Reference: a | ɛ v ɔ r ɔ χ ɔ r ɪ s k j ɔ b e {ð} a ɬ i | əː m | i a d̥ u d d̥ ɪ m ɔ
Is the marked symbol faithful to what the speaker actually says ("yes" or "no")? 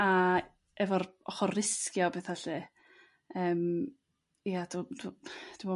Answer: no